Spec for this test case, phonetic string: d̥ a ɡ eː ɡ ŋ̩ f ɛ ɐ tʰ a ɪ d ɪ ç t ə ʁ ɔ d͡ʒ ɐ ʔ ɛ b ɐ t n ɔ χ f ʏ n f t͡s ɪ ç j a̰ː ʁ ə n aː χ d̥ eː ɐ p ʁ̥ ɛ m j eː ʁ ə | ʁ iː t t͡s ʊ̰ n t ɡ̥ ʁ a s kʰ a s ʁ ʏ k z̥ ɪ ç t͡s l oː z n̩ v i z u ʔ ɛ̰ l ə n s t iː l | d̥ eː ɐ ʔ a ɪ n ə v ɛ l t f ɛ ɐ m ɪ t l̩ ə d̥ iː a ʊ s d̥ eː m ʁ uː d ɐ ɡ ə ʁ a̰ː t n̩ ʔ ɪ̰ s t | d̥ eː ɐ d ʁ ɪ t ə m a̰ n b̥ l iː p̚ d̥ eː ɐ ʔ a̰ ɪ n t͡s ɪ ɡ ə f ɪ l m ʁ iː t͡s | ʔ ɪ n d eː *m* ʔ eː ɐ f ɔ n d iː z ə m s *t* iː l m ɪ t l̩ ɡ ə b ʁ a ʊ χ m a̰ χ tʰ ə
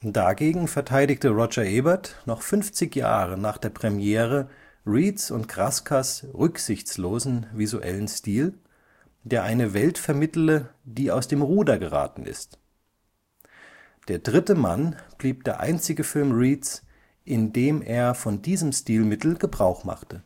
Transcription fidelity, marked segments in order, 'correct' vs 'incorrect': correct, correct

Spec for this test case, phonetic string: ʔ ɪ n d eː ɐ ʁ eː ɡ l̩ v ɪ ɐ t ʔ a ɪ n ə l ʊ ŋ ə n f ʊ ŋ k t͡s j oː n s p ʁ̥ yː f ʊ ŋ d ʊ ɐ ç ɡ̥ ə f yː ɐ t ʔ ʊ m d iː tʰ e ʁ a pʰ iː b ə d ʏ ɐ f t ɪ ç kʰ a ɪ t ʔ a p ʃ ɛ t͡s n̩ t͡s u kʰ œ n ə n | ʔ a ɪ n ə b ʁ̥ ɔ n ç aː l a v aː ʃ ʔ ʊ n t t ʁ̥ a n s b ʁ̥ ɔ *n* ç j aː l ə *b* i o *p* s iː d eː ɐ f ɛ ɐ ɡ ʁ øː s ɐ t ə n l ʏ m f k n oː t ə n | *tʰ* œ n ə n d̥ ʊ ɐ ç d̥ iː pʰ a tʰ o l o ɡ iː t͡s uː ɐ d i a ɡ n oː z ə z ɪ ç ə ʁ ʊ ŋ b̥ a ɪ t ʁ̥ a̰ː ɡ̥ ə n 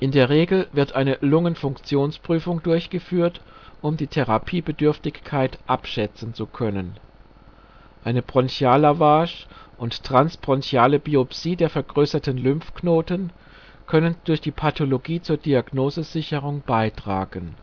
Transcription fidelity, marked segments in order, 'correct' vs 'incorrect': correct, correct, correct, incorrect

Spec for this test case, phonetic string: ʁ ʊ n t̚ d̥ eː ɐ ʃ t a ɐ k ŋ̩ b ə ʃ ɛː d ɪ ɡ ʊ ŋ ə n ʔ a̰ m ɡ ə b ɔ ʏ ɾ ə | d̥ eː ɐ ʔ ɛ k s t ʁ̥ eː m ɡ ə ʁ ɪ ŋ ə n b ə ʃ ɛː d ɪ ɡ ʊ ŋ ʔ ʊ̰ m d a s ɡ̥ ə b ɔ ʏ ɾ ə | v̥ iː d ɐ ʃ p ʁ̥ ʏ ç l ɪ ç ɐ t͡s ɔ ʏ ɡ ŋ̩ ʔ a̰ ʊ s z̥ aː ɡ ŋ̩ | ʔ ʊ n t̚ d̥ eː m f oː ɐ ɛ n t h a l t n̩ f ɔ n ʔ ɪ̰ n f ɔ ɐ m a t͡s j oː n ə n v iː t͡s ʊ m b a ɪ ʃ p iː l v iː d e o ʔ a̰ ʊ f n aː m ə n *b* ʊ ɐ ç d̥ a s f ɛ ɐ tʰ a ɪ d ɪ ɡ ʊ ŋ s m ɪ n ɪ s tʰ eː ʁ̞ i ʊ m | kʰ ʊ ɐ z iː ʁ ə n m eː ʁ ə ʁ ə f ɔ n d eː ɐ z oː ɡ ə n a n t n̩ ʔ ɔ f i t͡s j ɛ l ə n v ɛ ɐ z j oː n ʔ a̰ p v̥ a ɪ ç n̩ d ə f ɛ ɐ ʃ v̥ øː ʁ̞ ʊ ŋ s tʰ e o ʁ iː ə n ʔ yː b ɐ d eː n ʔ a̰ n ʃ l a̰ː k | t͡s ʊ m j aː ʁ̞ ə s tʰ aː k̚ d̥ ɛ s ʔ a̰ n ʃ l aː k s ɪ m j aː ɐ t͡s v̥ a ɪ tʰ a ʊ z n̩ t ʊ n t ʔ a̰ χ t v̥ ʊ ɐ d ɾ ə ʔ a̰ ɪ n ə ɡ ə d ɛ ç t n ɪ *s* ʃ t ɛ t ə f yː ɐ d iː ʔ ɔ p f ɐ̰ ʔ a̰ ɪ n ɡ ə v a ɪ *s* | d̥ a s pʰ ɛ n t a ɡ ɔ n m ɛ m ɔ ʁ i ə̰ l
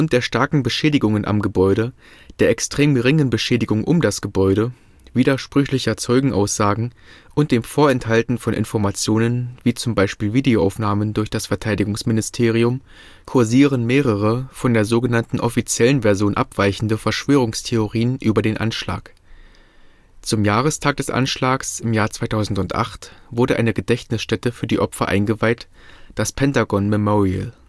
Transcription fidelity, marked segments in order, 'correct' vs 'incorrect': incorrect, correct, incorrect

